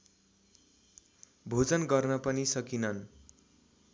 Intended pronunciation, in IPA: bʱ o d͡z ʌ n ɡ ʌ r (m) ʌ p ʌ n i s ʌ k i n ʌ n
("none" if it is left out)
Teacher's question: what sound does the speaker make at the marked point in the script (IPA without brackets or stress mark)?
n